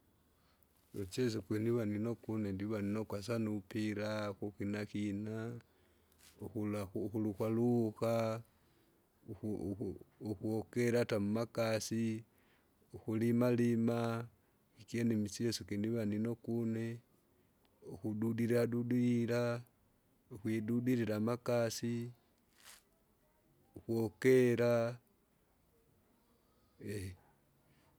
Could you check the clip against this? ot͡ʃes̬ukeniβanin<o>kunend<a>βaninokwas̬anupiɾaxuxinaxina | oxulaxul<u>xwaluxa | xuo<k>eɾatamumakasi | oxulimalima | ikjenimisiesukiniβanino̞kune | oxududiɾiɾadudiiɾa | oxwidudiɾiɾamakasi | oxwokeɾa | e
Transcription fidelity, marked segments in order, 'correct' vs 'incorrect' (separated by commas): correct, incorrect, correct, correct